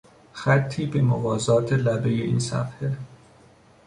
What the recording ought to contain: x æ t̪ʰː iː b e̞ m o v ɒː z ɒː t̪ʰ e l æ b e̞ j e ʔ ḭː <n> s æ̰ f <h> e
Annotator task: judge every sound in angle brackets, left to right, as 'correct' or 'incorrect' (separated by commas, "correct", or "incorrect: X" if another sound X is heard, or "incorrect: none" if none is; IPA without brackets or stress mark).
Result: correct, correct